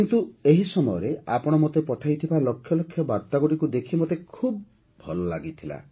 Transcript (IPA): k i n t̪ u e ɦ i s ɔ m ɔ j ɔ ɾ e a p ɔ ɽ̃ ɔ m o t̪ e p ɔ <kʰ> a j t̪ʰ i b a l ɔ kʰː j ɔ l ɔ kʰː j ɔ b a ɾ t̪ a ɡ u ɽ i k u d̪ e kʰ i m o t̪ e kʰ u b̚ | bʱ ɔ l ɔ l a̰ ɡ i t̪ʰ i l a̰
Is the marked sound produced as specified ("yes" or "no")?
no